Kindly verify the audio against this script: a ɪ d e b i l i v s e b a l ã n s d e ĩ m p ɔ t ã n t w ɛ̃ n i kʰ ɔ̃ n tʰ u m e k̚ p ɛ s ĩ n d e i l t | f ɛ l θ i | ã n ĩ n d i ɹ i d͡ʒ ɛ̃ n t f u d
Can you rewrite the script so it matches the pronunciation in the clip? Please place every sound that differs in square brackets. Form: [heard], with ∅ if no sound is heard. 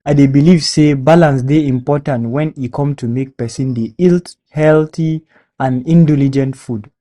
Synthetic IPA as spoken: a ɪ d e b i l i v s e b a l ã n s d e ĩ m p ɔ t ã n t w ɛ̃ n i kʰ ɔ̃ [m] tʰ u m e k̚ p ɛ s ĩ n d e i l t | [h] ɛ l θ i | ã n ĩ n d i [l] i d͡ʒ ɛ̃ n t f u d